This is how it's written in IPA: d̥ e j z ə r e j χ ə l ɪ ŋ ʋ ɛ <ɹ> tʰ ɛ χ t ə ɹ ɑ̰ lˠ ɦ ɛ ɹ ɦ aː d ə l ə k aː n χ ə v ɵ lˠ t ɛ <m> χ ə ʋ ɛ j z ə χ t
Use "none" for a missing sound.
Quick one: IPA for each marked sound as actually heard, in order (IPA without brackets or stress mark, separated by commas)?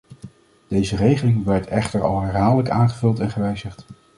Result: ɹ, n